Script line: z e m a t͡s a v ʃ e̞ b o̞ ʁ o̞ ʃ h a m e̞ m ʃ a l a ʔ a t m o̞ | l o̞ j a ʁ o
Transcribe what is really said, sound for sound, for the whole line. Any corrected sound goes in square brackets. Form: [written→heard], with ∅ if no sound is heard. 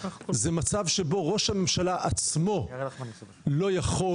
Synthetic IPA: z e m a t͡s a v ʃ e̞ b o̞ ʁ o̞ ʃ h a m e̞ m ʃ a l a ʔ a [t→t͡s] m o̞ | l o̞ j a [ʁ→χ] o

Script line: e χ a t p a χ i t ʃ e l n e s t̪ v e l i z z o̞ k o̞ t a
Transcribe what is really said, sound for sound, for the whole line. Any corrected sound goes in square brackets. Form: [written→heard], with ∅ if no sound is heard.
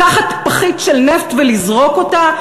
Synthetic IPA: [e→a] χ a t p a χ i t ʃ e l n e [s→f] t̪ v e l i z [z→ʁ] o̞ k o̞ t a

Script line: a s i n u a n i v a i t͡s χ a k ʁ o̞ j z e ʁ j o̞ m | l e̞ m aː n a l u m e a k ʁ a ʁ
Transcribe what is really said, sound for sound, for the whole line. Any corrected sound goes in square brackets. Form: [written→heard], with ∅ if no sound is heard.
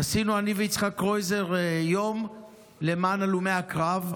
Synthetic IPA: a s i n u a n i v [a→e] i t͡s χ a k ʁ o̞ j z e ʁ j o̞ m | l e̞ m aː n a l u m e a k ʁ a [ʁ→v]

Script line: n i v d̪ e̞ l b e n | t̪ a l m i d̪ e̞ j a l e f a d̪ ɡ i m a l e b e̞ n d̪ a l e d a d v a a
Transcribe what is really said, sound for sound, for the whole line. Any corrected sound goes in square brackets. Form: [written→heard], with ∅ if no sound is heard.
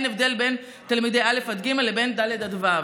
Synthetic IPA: n [i→e] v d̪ e̞ l b e n | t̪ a l m i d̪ e̞ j a l e f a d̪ ɡ i m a l e b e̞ n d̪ a l e d a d v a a

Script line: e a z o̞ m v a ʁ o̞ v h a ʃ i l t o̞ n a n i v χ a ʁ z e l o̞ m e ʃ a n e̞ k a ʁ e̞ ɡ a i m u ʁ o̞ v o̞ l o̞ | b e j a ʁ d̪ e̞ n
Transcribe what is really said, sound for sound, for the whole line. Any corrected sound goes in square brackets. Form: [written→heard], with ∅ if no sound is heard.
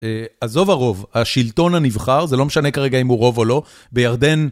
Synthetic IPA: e a z o̞ [m→∅] v a ʁ o̞ v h a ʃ i l t o̞ n a n i v χ a ʁ z e l o̞ m e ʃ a n e̞ k a ʁ e̞ ɡ a i m u ʁ o̞ v o̞ l o̞ | b e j a ʁ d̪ e̞ n

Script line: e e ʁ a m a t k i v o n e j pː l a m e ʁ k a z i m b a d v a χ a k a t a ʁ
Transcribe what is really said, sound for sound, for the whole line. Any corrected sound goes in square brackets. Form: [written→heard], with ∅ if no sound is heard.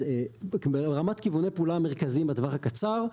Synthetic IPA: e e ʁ a m a t k i v [o→u] n e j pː l a m e ʁ k a z i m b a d v a χ a k a [t→t͡s] a ʁ

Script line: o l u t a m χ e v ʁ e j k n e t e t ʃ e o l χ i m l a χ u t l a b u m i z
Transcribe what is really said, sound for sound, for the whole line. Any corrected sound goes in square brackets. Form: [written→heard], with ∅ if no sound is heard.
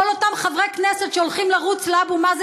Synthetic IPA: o l [u→o] t a m χ [e→a] v ʁ e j k n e [t→s] e t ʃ e o l χ i m l a [χ→ʁ] u [t→t͡s] l a b u m [i→a] z

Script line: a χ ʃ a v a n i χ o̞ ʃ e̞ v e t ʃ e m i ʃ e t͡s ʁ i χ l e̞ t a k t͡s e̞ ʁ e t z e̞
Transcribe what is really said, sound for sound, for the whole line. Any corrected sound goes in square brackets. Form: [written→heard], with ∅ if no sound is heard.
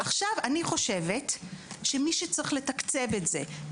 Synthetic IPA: a χ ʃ a v a n i χ o̞ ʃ e̞ v e t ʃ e m i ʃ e t͡s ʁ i χ l e̞ t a k t͡s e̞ [ʁ→v] e t z e̞

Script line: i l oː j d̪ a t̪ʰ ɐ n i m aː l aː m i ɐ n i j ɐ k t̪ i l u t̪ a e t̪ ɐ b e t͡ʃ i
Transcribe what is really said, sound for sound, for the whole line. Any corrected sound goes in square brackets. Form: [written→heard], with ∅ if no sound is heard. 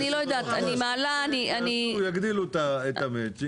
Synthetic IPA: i l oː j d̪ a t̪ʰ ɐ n i m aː l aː [m→n] i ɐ n i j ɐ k [t̪→d̪] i l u t̪ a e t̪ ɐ [b→m] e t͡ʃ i

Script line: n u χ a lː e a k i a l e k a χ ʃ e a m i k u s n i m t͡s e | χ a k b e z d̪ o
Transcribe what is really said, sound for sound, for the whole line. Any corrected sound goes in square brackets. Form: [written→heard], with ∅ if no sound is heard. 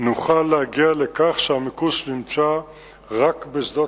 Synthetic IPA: n u χ a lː e a [k→ɡ] i a l e k a χ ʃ e a m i k u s n i m t͡s [e→a] | [χ→ʁ] a k b e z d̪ o

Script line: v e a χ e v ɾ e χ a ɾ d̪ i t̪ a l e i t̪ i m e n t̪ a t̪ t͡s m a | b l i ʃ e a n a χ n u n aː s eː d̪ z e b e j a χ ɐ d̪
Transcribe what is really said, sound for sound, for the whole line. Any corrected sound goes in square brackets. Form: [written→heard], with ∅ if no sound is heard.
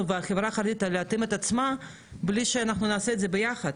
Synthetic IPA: v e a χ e v ɾ [e→a] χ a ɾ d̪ i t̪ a l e [i→a] t̪ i m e [n→∅] t̪ a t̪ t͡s m a | b l i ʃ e a n a χ n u n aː s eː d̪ z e b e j a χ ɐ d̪

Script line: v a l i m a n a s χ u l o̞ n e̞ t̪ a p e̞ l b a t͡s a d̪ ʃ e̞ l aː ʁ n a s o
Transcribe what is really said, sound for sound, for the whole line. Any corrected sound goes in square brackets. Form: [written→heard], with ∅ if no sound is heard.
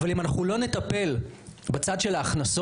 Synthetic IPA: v a l i m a n a [s→∅] χ u l o̞ n e̞ t̪ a p e̞ l b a t͡s a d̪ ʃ e̞ l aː [ʁ→χ] n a s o

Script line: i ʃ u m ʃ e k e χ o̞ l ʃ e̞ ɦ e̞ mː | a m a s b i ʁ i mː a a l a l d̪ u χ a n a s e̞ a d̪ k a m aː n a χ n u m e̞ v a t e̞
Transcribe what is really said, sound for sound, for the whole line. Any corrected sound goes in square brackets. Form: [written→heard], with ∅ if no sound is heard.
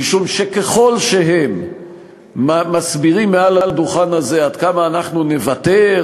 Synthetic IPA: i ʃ u m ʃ e k e χ o̞ l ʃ e̞ ɦ e̞ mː | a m a s b i ʁ i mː [a→e] a l a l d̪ u χ a n a [s→z] e̞ a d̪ k a m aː n a χ n u [m→n] e̞ v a t e̞

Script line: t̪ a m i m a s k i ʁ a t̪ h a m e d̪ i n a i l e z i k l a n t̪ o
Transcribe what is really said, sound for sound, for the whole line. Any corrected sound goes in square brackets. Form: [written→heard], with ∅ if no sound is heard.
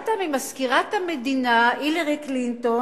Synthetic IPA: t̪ a m i m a s k i ʁ a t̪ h a m e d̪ i n a i l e [z→ʁ] i k l [a→i] n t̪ o

